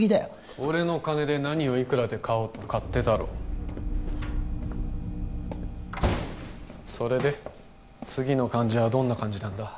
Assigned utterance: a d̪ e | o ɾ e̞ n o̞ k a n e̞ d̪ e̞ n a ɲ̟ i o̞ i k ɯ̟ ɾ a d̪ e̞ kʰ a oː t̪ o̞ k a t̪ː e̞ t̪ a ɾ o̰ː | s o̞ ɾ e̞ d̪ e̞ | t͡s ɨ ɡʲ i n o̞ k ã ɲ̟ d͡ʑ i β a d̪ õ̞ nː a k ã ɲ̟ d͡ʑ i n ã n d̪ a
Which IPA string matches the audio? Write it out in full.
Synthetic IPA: i d̪ e | o ɾ e̞ n o̞ k a n e̞ d̪ e̞ n a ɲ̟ i o̞ i k ɯ̟ ɾ a d̪ e̞ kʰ a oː t̪ o̞ k a t̪ː e̞ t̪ a ɾ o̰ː | s o̞ ɾ e̞ d̪ e̞ | t͡s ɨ ɡʲ i n o̞ k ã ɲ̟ d͡ʑ i β a d̪ õ̞ nː a k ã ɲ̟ d͡ʑ i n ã n d̪ a